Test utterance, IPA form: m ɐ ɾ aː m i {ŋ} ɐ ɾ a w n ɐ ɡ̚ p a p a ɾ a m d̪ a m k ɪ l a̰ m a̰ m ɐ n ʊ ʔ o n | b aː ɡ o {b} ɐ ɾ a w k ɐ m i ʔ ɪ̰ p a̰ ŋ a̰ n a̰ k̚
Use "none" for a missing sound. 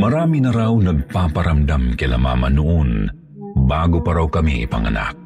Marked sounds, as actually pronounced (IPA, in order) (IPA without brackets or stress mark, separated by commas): n, p